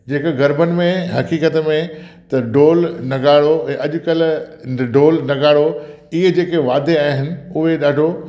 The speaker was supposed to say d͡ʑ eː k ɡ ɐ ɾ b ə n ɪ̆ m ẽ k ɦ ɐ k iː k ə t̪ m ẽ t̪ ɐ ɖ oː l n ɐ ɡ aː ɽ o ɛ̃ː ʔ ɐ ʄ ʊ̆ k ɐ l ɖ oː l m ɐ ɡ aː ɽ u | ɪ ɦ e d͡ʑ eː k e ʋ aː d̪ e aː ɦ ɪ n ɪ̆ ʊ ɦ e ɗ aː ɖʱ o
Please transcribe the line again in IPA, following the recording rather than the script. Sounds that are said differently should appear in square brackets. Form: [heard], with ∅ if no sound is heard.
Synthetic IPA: d͡ʑ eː k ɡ ɐ ɾ b ə n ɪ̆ m ẽ [∅] ɦ ɐ k iː k ə t̪ m ẽ t̪ ɐ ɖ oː l n ɐ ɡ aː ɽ o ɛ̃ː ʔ ɐ ʄ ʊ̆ k ɐ l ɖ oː l [n] ɐ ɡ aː ɽ [o] | ɪ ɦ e d͡ʑ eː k e ʋ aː d̪ e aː ɦ ɪ n ɪ̆ ʊ ɦ e ɗ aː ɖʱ o